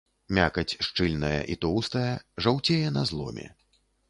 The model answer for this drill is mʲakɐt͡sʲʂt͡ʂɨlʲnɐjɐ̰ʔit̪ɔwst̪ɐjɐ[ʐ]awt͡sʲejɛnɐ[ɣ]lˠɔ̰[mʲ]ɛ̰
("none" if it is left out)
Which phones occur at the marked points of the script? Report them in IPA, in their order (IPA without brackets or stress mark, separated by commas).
ʐ, z, mʲ